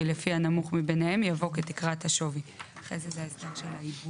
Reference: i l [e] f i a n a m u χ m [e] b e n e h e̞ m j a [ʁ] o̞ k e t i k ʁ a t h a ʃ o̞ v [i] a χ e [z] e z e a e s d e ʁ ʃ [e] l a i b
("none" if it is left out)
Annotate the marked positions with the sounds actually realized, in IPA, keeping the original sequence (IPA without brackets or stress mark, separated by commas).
e, i, v, i, z, e